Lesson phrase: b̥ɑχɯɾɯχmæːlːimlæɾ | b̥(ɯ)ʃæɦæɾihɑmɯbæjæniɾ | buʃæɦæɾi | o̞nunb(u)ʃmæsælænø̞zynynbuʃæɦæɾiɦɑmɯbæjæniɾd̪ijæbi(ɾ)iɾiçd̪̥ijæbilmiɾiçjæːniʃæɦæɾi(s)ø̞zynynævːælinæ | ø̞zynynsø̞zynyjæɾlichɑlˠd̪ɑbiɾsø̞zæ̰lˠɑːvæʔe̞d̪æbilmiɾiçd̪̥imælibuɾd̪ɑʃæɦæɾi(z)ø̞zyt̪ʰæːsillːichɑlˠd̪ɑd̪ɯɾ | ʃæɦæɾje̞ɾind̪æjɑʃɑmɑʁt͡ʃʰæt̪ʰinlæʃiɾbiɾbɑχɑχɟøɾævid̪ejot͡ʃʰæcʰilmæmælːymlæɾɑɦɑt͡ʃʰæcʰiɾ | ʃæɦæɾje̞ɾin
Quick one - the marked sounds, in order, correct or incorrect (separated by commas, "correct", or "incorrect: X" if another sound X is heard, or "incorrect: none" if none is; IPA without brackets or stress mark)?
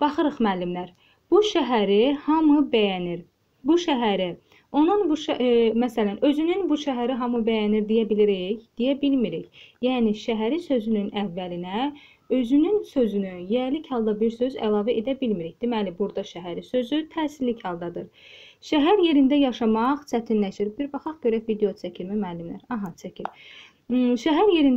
incorrect: u, correct, incorrect: l, correct, incorrect: s